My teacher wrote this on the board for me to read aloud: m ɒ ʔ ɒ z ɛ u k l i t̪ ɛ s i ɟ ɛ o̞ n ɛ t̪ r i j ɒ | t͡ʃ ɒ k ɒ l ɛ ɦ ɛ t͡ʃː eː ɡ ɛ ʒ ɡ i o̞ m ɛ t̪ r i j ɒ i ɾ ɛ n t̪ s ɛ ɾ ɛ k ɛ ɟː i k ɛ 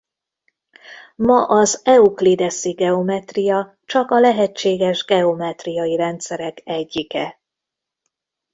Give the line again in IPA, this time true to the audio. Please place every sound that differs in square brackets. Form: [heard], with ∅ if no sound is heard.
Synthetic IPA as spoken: m ɒ ʔ ɒ z ɛ u k l i [d̪] ɛ s i [ɡ] ɛ o̞ [m] ɛ t̪ r i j ɒ | t͡ʃ ɒ k ɒ l ɛ ɦ ɛ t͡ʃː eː ɡ ɛ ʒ ɡ [ɛ] o̞ m ɛ t̪ r i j ɒ i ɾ ɛ n t̪ s ɛ ɾ ɛ k ɛ ɟː i k ɛ